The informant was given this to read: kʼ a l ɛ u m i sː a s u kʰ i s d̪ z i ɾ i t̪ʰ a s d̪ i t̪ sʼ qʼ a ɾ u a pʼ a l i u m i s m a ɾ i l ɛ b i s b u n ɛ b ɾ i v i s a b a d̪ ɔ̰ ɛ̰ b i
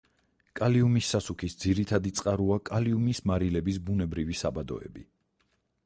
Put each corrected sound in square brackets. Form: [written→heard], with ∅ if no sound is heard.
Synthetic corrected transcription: kʼ a l [ɛ→i] u m i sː a s u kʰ i s d̪ z i ɾ i t̪ʰ a [s→∅] d̪ i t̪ sʼ qʼ a ɾ u a [pʼ→kʼ] a l i u m i s m a ɾ i l ɛ b i s b u n ɛ b ɾ i v i s a b a d̪ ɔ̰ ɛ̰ b i

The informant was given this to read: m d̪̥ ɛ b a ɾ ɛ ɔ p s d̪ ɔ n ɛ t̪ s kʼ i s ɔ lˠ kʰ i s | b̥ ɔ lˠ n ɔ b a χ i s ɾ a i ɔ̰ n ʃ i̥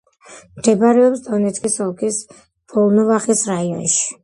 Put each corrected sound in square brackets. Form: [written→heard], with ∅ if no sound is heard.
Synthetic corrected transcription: m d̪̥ ɛ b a ɾ ɛ ɔ p s d̪ ɔ n ɛ t̪ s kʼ i s ɔ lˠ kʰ i s | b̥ ɔ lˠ n ɔ [b→v] a χ i s ɾ a i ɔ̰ n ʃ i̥

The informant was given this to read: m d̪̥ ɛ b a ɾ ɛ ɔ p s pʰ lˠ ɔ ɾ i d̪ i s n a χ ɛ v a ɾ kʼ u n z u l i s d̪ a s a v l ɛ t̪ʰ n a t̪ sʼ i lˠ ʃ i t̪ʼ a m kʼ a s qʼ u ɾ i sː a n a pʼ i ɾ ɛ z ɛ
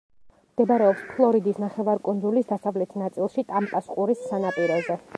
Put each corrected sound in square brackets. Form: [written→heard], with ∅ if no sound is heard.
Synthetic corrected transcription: m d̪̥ ɛ b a ɾ ɛ ɔ p s pʰ lˠ ɔ ɾ i d̪ i s n a χ ɛ v a ɾ kʼ u n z u l i s d̪ a s a v l ɛ t̪ʰ n a t̪ sʼ i lˠ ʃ i t̪ʼ a m [kʼ→pʼ] a s qʼ u ɾ i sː a n a pʼ i ɾ ɛ z ɛ

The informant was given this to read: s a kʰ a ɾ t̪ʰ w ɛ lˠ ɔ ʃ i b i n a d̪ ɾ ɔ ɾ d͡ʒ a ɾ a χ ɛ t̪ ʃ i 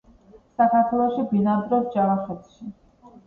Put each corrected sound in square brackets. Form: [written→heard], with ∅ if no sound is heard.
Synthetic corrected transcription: s a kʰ a ɾ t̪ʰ w ɛ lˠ ɔ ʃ i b i n a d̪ ɾ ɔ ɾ d͡ʒ a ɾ a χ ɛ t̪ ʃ i

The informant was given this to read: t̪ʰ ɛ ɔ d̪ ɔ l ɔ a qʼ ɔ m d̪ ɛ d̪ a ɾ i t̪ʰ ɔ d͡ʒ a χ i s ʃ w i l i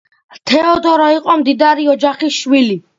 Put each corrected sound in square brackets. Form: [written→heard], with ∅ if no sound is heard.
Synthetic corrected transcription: t̪ʰ ɛ ɔ d̪ ɔ [l→ɾ] ɔ [a→i] qʼ ɔ m d̪ [ɛ→i] d̪ a ɾ i [t̪ʰ→∅] ɔ d͡ʒ a χ i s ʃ w i l i

